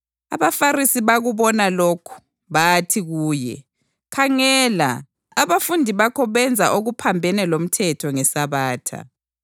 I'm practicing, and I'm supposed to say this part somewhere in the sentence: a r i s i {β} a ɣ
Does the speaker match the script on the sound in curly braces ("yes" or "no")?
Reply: yes